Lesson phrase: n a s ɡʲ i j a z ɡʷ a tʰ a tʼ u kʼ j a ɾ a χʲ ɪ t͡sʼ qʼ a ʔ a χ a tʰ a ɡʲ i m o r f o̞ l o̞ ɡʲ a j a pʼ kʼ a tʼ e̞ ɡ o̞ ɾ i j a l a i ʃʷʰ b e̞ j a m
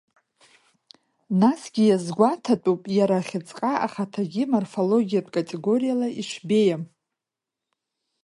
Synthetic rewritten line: n a s ɡʲ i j a z ɡʷ a tʰ a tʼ u pʼ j a ɾ a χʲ ɪ t͡sʼ qʼ a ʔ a χ a tʰ a ɡʲ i m o r f o̞ l o̞ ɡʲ i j a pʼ kʼ a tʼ e̞ ɡ o̞ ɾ i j a l a i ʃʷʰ b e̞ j a m